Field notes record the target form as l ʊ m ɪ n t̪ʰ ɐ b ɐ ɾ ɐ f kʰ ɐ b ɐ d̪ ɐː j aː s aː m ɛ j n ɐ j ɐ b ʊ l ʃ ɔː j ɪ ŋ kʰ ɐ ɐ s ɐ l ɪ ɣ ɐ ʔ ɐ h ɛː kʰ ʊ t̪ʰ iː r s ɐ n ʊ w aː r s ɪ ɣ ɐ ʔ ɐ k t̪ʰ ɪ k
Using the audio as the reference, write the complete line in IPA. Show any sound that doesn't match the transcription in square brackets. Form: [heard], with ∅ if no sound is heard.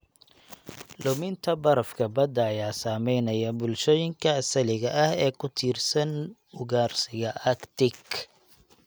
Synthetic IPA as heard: l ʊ m ɪ n t̪ʰ ɐ b ɐ ɾ ɐ f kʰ ɐ b ɐ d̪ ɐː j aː s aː m ɛ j n ɐ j ɐ b ʊ l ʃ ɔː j ɪ ŋ kʰ ɐ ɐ s ɐ l ɪ ɣ ɐ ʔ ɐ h ɛː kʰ ʊ t̪ʰ iː r s ɐ n ʊ [ɣ] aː r s ɪ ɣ ɐ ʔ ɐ k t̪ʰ ɪ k